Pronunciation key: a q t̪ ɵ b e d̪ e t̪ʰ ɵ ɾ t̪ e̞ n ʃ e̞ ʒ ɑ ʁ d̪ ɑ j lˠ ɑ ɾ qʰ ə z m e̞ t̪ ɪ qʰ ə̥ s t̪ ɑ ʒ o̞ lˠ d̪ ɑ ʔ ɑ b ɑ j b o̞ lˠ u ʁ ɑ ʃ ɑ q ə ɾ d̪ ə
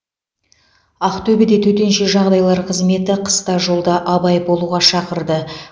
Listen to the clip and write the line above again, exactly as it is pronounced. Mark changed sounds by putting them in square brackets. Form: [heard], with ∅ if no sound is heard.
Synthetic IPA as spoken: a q t̪ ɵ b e d̪ e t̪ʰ ɵ [∅] t̪ e̞ n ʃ e̞ ʒ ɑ ʁ d̪ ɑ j lˠ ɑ ɾ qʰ ə z m e̞ t̪ ɪ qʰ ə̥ s t̪ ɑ ʒ o̞ lˠ d̪ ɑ ʔ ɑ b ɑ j b o̞ lˠ u ʁ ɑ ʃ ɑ q ə ɾ d̪ ə